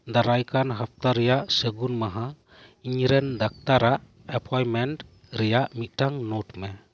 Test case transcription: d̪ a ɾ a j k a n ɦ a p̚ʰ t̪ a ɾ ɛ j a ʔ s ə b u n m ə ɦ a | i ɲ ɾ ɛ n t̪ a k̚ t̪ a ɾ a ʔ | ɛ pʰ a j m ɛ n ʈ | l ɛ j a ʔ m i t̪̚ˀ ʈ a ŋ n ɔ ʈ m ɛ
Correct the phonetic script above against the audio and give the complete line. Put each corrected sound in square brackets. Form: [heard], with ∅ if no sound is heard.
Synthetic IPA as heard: d̪ a ɾ a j k a n ɦ a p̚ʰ t̪ a ɾ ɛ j a ʔ s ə [ɡ] u n m [a] ɦ a | i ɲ ɾ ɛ n [d̪] a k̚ t̪ a ɾ a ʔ | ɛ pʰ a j m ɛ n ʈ | [ɾ] ɛ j a ʔ m i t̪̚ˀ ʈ a ŋ n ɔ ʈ m ɛ

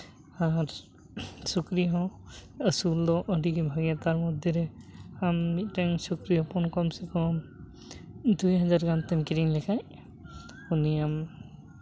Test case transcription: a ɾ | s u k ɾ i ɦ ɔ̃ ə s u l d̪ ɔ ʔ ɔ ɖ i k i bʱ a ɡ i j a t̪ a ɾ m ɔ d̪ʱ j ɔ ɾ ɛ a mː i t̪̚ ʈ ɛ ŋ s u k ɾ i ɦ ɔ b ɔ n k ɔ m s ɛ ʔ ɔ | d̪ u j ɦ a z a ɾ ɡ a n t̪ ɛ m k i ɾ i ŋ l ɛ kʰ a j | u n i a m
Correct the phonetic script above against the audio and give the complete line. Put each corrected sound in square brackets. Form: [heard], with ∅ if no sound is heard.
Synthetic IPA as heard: a ɾ | s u k ɾ i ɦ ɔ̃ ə s u l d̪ ɔ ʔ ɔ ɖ i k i bʱ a ɡ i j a t̪ a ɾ m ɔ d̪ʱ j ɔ ɾ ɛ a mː i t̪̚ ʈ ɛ ŋ s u k ɾ i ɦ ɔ [p] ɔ n k ɔ m s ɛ [k] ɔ | d̪ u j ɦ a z a ɾ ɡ a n t̪ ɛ m k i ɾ i ŋ l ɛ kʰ a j | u n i a m

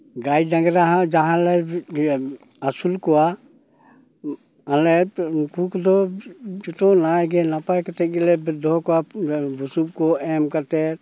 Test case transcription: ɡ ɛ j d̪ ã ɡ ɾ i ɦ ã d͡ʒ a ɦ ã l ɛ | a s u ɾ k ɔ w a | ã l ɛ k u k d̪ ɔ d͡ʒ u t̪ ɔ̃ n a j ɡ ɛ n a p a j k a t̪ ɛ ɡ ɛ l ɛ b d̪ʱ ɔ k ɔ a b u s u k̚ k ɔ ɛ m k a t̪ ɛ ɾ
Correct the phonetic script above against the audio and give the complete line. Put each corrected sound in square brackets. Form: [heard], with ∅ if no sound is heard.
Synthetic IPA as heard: ɡ [a] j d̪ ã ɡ ɾ [a] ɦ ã d͡ʒ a ɦ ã l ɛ | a s u [l] k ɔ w a | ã l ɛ k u k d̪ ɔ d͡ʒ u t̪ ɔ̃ n a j ɡ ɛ n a p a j k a t̪ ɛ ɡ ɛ l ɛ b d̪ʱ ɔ k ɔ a b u s u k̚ k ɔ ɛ m k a t̪ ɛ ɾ

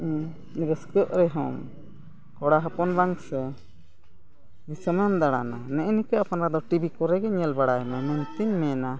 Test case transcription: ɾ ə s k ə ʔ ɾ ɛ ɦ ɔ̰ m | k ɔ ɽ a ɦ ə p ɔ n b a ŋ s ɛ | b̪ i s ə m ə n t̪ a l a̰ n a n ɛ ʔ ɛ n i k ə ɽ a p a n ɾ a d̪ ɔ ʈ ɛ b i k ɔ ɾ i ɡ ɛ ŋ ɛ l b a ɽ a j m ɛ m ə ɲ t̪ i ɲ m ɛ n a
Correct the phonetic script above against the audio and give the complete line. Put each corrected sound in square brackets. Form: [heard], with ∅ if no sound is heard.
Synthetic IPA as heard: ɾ ə s k ə ʔ ɾ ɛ ɦ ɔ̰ m | k ɔ ɽ a ɦ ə p ɔ n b a ŋ s ɛ | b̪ i s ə m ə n [d̪] a [ɽ] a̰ n a n ɛ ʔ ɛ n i k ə [∅] a p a n ɾ a d̪ ɔ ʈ [i] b i k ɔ ɾ [ɛ] ɡ ɛ [ɲ] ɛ l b a ɽ a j m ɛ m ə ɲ t̪ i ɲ m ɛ n a

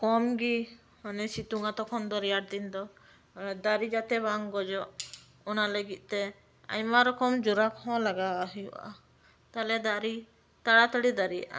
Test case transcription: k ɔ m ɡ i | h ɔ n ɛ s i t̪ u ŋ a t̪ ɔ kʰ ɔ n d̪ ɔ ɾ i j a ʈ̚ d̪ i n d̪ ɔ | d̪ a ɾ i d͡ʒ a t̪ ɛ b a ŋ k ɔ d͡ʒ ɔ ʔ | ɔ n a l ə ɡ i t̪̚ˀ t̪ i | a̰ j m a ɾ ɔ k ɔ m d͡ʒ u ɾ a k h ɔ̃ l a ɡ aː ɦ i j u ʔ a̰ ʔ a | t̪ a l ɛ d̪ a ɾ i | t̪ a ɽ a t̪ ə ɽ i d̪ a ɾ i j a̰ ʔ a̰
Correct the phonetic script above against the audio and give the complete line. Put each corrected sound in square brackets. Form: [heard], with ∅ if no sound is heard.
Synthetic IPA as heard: k ɔ m ɡ i | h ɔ n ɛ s i t̪ u ŋ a t̪ ɔ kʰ ɔ n d̪ ɔ ɾ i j a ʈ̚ d̪ i n d̪ ɔ | d̪ a ɾ i d͡ʒ a t̪ ɛ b a ŋ [ɡ] ɔ d͡ʒ ɔ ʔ | ɔ n a l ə ɡ i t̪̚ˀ t̪ [ɛ] | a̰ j m a ɾ ɔ k ɔ m d͡ʒ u ɾ a k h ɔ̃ l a ɡ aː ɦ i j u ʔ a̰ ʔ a | t̪ a l ɛ d̪ a ɾ i | t̪ a ɽ a t̪ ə ɽ i d̪ a ɾ i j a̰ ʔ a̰

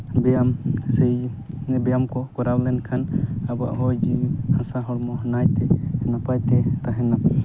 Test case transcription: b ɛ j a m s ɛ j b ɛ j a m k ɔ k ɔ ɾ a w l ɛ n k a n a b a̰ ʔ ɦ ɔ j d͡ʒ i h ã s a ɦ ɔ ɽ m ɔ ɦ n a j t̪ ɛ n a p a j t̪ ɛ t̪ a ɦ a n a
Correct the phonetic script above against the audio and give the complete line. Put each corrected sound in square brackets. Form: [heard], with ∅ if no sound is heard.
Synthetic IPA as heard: b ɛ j a m s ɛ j b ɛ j a m k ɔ k ɔ ɾ a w l ɛ n [kʰ] a n a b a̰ ʔ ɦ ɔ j d͡ʒ i h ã s a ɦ ɔ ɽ m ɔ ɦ n a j t̪ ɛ n a p a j t̪ ɛ t̪ a ɦ [ɛ] n a

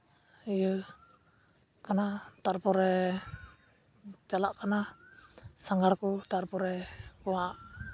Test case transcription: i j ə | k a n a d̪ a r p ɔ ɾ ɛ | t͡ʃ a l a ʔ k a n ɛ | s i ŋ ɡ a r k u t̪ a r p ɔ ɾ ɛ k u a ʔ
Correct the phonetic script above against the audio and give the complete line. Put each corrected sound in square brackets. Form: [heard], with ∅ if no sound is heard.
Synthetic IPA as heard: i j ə | k a n a [t̪] a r p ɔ ɾ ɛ | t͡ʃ a l a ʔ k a n [a] | s [a] ŋ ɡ a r k u t̪ a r p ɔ ɾ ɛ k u a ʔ

